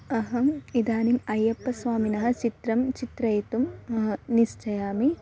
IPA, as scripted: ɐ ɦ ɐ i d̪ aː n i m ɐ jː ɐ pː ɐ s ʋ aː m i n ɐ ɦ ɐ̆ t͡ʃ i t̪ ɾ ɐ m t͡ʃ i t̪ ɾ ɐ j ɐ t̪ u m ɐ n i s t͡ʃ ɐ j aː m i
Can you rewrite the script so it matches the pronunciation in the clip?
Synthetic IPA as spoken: ɐ ɦ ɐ i d̪ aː n i m ɐ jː ɐ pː ɐ s ʋ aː m i n ɐ ɦ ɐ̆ t͡ʃ i t̪ ɾ ɐ m t͡ʃ i t̪ ɾ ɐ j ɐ t̪ u m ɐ n i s t͡ʃ ɐ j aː m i